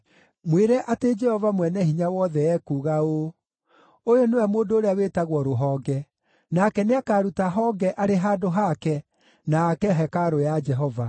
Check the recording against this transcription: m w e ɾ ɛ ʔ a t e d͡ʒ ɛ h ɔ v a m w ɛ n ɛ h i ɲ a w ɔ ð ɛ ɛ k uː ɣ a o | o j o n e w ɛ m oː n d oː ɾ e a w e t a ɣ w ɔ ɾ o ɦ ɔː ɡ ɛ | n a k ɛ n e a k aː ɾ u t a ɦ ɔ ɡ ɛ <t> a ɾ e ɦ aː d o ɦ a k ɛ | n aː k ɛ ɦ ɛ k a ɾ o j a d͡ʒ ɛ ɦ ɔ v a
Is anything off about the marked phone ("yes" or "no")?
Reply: yes